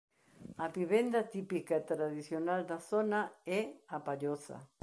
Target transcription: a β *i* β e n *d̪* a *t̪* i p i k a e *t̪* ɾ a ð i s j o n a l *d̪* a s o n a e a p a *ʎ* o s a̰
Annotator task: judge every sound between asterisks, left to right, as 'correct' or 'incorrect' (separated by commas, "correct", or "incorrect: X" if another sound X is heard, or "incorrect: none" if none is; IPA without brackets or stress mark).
correct, correct, correct, correct, correct, correct